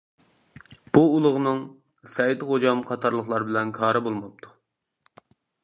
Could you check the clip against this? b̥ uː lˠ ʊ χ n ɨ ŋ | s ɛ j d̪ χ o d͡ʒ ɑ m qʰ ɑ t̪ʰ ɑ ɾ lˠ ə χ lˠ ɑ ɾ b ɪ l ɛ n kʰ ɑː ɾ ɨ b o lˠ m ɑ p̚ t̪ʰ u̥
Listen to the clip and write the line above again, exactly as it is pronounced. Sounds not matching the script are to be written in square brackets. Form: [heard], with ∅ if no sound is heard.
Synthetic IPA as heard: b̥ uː lˠ ʊ [ʁ] n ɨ ŋ | s ɛ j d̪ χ o d͡ʒ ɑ m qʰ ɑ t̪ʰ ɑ ɾ lˠ ə χ lˠ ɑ ɾ b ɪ l ɛ n kʰ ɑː ɾ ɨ b o lˠ m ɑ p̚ t̪ʰ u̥

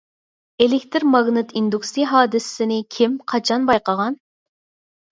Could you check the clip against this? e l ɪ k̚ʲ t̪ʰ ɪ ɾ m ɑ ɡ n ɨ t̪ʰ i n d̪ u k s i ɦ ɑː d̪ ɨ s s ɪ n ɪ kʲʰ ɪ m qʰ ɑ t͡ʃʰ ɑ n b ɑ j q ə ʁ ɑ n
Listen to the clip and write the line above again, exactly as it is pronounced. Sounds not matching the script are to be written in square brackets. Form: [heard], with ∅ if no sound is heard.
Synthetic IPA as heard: e l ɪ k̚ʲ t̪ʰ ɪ ɾ m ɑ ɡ n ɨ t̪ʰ i n d̪ u k s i ɦ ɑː d̪ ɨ s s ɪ n ɪ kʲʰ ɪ m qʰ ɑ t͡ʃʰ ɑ n b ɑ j q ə ʁ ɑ n

